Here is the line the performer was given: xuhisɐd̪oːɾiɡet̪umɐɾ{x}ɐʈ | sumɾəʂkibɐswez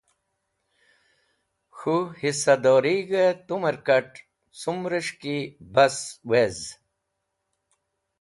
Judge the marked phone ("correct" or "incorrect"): incorrect